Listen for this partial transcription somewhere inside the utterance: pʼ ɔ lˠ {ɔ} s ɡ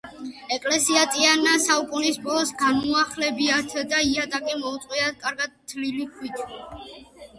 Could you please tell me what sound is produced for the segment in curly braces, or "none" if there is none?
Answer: ɔ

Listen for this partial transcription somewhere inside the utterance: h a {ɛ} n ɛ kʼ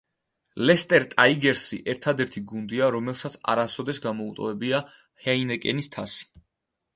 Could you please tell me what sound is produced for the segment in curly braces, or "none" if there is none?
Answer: i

